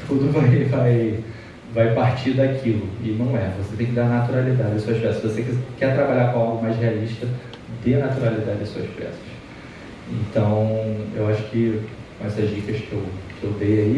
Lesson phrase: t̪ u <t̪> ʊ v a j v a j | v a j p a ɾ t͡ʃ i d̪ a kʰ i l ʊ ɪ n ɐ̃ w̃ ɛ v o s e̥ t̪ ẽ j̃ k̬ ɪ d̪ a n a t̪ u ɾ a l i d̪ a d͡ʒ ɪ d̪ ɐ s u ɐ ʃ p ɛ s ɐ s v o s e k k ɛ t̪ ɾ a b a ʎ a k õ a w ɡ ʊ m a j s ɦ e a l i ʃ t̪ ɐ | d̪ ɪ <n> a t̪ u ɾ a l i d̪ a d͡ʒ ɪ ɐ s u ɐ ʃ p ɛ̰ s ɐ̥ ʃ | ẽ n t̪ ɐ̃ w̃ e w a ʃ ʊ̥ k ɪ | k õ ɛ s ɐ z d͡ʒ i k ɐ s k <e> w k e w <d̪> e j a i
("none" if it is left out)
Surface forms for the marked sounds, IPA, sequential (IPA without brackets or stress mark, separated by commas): d̪, n, e, d̪